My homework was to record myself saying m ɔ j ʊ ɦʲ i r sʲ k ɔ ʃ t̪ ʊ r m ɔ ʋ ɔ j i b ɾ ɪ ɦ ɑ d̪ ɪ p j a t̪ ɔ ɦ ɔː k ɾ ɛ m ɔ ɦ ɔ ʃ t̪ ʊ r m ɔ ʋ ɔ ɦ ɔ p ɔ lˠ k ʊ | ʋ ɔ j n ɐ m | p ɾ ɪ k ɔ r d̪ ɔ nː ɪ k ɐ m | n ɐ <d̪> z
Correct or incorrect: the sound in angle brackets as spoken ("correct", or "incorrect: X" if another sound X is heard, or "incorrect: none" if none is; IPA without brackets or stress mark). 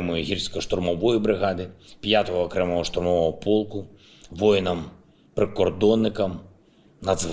correct